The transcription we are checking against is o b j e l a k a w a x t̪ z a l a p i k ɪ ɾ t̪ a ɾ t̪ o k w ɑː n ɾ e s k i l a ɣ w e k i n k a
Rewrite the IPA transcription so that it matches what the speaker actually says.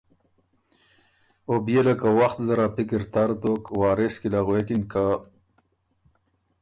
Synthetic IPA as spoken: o b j e l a k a w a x t̪ z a ɾ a p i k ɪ ɾ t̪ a ɾ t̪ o k w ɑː ɾ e s k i l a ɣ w e k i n k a